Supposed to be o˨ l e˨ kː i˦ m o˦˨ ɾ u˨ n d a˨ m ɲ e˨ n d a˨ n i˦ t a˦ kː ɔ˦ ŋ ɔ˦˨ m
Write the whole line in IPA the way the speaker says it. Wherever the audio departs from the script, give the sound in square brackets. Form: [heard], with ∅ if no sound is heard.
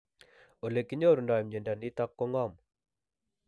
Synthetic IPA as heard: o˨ l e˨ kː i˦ [ɲ] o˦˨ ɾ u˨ n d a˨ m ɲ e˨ n d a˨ n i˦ t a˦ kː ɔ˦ ŋ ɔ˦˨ m